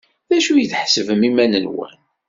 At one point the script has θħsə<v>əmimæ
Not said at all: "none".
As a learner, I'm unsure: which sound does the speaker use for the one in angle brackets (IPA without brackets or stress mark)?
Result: v